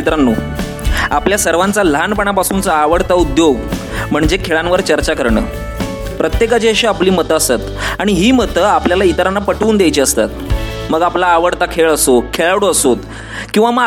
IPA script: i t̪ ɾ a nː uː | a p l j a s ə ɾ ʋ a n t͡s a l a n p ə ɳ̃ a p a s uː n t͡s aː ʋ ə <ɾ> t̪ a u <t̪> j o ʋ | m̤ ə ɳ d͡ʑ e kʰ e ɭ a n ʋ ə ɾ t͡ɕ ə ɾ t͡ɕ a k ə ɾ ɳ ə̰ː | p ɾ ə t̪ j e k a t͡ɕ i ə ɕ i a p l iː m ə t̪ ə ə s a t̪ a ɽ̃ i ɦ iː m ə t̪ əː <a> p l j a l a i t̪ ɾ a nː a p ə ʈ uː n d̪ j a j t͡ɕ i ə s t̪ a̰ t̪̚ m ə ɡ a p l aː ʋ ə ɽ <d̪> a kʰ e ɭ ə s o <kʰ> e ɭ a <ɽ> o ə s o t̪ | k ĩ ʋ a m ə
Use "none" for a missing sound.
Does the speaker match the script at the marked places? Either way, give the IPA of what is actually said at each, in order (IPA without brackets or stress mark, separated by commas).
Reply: ɽ, d̪, a, t̪, kʰ, ɽ